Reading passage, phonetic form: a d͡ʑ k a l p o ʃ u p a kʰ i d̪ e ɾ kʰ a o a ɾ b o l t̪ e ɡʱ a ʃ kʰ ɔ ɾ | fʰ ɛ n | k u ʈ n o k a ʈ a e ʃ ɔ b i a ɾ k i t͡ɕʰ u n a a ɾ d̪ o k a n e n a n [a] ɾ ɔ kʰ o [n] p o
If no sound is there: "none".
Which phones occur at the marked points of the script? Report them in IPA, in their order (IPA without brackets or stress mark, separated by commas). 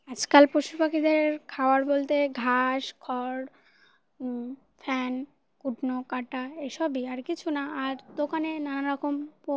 a, m